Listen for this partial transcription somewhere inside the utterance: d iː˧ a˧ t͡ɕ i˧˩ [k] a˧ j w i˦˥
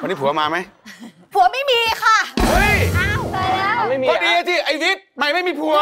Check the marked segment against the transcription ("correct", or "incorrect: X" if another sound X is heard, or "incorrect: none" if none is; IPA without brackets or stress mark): incorrect: ʔ